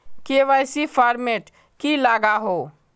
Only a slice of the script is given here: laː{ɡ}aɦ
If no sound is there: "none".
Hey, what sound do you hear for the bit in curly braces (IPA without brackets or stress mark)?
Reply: ɡ